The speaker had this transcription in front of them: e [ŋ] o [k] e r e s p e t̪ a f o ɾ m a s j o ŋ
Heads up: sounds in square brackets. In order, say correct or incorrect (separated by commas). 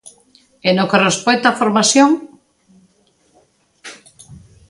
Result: incorrect, correct